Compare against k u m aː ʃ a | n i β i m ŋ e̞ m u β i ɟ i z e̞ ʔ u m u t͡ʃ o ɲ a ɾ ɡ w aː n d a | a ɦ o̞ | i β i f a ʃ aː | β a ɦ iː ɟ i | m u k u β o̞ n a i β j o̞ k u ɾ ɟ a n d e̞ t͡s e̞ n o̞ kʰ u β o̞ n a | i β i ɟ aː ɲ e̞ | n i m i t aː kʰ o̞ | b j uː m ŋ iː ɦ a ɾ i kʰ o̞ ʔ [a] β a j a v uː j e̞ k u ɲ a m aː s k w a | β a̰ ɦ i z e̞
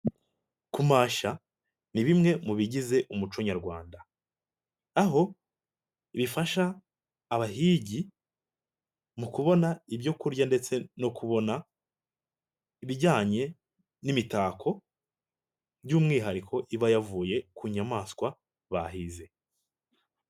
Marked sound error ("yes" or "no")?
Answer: yes